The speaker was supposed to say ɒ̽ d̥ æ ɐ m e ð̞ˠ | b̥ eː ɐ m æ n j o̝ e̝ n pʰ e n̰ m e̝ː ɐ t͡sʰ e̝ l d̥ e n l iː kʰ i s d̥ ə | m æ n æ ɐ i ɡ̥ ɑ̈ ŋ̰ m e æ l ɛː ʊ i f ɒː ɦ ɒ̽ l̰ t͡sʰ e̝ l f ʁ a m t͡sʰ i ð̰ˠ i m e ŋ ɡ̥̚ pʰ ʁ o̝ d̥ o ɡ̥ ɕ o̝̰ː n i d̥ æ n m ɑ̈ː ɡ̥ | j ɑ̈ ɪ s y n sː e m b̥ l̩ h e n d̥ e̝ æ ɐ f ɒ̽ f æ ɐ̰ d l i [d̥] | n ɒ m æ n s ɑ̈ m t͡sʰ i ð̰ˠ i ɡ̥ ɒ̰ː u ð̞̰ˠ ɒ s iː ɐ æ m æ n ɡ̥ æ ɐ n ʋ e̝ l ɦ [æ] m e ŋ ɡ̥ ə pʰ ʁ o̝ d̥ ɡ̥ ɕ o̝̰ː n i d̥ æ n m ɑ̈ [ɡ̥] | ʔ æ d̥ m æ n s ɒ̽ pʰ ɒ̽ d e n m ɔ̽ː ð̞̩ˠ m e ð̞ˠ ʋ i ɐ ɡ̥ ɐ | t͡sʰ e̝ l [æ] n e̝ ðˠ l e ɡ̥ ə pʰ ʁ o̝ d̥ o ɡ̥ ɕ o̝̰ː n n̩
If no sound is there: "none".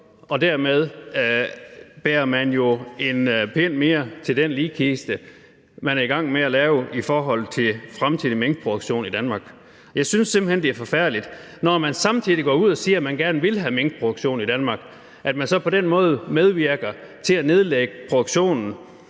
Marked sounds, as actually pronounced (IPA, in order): d̥, æ, ɡ̥, æ

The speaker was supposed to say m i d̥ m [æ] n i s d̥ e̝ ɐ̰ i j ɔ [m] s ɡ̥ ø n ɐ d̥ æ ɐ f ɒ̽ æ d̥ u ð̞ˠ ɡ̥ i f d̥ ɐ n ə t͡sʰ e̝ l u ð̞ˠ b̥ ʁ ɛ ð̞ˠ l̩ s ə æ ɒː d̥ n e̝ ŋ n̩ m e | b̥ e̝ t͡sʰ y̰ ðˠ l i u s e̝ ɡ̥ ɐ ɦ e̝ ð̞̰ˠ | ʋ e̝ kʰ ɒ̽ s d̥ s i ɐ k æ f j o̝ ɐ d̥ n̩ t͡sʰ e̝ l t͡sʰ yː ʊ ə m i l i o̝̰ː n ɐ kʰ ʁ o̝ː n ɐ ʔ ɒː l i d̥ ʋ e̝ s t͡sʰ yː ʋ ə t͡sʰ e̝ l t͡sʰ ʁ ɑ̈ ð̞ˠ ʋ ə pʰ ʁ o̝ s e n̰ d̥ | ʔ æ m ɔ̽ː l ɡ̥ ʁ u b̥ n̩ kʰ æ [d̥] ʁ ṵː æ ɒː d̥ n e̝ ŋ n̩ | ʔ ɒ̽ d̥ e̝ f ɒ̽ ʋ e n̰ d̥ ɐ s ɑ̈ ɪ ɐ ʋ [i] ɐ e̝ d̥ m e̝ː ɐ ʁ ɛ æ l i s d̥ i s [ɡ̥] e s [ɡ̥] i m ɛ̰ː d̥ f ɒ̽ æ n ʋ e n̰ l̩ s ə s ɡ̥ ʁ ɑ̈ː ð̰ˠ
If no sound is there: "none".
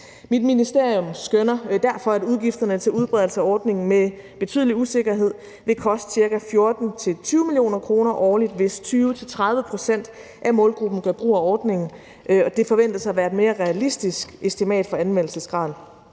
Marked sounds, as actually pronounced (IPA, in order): i, m, b̥, æ, ɡ̥, d̥

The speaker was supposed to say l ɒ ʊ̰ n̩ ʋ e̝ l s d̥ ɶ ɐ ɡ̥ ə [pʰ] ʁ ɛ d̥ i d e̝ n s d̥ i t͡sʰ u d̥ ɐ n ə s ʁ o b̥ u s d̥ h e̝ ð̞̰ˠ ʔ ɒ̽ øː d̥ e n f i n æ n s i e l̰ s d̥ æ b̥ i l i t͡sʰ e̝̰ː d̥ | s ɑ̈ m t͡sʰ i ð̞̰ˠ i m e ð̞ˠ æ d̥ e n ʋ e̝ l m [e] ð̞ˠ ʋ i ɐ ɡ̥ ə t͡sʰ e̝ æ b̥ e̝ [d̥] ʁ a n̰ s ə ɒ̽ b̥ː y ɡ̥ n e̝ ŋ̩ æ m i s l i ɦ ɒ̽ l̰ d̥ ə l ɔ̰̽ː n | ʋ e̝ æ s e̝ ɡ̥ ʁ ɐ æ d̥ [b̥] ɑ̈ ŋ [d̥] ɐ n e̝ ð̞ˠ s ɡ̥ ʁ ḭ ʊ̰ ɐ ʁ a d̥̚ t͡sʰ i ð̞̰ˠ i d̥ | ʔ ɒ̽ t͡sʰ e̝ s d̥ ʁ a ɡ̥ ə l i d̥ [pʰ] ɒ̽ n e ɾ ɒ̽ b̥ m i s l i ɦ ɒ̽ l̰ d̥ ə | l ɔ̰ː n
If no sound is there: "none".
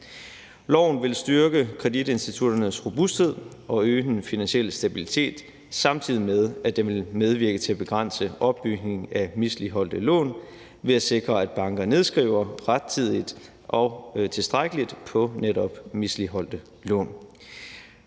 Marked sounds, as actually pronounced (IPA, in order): kʰ, e, ɡ̥, b̥, ɡ̥, pʰ

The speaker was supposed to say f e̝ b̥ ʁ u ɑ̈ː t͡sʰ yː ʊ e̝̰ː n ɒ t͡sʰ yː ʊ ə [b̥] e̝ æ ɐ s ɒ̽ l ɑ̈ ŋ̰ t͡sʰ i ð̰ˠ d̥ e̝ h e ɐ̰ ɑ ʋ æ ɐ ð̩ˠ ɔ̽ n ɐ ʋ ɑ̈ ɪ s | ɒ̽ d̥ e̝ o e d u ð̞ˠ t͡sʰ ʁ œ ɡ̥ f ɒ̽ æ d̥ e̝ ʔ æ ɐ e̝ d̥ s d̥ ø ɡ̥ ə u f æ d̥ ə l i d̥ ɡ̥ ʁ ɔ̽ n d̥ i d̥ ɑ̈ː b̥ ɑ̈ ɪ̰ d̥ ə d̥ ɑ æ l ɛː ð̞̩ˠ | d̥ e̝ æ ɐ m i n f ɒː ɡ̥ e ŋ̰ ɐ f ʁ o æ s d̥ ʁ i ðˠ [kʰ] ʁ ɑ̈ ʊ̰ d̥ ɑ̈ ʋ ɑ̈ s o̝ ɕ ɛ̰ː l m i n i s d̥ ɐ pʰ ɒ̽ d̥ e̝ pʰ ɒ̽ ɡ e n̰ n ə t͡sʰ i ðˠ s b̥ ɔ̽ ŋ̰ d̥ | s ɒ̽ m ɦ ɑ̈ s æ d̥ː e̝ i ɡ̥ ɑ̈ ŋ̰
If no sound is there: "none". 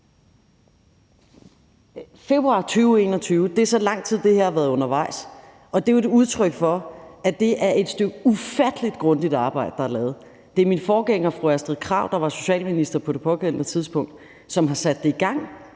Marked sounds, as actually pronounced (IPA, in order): d̥, kʰ

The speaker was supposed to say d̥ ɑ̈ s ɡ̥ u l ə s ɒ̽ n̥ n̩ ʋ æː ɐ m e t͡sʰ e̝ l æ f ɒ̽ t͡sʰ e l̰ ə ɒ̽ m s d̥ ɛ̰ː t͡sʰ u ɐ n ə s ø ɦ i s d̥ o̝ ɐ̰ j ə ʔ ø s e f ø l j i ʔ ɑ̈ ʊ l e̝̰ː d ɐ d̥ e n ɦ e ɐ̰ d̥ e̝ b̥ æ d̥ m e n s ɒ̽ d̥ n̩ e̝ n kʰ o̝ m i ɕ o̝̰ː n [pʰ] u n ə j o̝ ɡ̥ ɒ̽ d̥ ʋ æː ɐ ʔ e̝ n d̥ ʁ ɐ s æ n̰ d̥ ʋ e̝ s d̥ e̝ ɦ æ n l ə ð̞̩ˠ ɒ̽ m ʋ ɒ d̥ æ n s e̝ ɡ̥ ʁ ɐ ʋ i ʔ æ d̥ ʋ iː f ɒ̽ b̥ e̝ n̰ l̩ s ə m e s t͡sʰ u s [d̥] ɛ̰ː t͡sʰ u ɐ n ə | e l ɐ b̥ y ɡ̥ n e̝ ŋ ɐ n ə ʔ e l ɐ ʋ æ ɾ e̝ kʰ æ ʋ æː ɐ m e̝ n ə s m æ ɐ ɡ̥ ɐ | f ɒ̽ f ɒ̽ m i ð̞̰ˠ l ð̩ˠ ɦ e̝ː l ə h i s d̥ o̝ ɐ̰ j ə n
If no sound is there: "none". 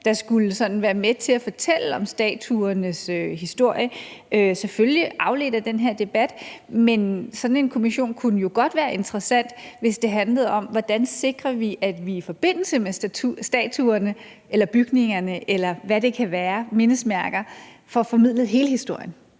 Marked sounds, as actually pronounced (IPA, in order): kʰ, d̥

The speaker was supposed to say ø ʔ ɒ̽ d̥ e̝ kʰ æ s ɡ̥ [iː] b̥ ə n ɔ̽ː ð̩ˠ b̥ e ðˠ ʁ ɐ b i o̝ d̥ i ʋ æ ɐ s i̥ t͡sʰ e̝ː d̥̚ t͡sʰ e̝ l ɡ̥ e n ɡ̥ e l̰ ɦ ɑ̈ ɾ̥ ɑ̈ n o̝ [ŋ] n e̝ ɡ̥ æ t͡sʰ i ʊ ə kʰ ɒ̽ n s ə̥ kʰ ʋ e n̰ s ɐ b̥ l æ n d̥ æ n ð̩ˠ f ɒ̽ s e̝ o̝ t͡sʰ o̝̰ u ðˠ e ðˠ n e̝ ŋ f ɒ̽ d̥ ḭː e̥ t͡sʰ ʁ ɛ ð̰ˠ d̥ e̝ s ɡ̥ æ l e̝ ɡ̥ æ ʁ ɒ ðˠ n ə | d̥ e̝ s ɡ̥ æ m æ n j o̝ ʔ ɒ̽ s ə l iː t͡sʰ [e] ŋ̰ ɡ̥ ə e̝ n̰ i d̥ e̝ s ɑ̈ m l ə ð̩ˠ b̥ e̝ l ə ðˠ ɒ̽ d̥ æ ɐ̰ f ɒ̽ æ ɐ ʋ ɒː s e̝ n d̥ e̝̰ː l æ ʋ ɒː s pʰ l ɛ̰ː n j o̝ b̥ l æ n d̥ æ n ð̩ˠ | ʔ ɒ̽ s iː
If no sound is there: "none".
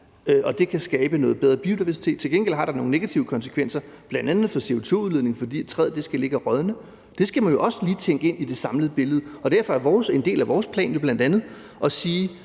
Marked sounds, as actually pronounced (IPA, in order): ɛː, ŋ, e

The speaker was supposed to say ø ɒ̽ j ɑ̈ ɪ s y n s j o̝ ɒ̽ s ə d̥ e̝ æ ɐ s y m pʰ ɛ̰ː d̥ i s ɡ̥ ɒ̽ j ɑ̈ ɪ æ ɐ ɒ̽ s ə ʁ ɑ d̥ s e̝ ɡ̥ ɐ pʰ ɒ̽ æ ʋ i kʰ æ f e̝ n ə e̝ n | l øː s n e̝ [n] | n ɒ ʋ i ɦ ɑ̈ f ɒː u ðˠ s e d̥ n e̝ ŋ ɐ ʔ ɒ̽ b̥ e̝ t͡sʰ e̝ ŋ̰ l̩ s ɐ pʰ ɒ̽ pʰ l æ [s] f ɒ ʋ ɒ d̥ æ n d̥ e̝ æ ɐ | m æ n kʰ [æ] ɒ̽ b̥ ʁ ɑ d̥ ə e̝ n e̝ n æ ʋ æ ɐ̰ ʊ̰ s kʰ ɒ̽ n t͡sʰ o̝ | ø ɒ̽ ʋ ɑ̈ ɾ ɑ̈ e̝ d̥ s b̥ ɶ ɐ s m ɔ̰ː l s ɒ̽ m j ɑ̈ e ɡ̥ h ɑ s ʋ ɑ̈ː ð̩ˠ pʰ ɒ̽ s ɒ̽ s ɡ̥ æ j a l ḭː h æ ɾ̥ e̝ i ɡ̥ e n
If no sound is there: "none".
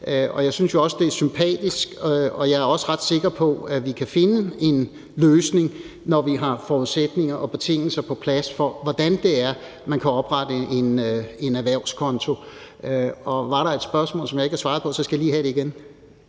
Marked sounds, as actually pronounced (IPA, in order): ŋ, s, æ

